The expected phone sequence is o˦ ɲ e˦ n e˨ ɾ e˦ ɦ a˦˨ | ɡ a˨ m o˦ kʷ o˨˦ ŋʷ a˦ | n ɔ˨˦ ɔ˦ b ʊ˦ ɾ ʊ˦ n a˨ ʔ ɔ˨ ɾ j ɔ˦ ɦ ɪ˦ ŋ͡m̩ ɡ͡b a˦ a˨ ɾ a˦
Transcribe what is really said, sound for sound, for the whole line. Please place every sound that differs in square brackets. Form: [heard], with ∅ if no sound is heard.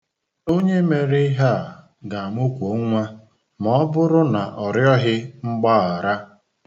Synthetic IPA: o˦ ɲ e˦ [m] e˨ ɾ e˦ ɦ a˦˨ | ɡ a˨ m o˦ kʷ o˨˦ ŋʷ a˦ | [m] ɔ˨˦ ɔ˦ b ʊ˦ ɾ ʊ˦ n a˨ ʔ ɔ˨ ɾ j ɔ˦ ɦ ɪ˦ ŋ͡m̩ ɡ͡b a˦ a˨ ɾ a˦